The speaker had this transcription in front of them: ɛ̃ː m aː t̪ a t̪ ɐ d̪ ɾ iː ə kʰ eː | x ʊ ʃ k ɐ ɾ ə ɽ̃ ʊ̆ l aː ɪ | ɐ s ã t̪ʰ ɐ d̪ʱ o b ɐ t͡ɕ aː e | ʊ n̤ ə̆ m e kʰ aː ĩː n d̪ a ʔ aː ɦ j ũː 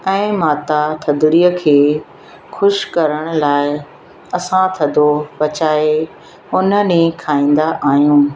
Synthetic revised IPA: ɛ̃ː m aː t̪ a t̪ʰ ɐ d̪ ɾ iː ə kʰ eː | x ʊ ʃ k ɐ ɾ ə ɽ̃ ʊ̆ l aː ɪ | ɐ s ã t̪ʰ ɐ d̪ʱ o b ɐ t͡ɕ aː e | ʊ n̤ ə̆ n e kʰ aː ĩː n d̪ a ʔ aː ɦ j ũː